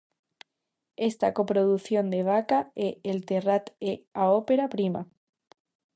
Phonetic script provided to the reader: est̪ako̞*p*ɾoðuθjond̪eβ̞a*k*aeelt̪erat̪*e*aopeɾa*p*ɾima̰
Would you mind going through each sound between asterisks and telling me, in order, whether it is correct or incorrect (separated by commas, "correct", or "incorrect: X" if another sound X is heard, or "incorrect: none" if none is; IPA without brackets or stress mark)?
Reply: correct, correct, correct, correct